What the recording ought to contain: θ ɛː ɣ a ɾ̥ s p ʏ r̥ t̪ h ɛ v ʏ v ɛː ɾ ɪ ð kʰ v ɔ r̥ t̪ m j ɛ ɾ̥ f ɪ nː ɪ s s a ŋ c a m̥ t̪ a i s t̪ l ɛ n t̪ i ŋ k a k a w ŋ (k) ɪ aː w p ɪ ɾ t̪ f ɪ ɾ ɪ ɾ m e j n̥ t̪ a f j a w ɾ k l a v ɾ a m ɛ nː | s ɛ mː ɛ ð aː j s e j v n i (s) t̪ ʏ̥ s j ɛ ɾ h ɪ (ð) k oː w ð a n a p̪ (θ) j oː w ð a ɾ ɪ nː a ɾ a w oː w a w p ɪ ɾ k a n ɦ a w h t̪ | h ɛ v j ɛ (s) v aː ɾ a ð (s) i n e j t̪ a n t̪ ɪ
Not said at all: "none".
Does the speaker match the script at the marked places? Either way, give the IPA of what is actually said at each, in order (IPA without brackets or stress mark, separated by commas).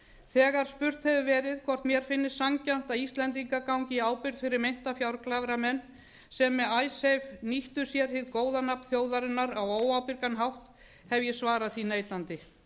c, h, ð, θ, s, θ